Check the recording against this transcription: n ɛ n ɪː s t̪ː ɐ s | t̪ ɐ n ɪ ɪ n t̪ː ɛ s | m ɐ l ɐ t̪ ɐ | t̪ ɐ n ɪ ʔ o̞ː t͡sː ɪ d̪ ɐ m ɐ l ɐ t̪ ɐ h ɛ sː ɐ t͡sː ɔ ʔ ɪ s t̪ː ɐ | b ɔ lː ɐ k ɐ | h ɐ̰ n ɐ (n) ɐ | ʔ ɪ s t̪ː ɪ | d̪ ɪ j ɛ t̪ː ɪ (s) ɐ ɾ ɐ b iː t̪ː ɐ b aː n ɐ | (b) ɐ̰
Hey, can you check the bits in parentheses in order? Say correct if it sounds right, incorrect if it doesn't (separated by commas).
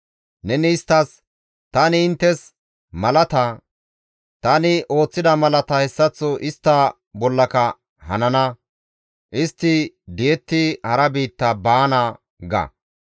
correct, incorrect, incorrect